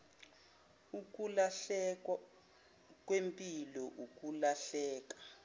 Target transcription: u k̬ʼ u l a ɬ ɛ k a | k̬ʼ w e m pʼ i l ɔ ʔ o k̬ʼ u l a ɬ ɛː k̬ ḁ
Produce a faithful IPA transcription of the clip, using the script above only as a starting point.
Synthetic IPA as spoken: u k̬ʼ u l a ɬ ɛ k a | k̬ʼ w e m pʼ i l ɔ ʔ u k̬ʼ u l a ɬ ɛː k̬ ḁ